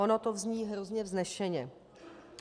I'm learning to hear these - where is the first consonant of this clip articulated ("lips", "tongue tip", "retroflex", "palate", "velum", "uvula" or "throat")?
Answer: tongue tip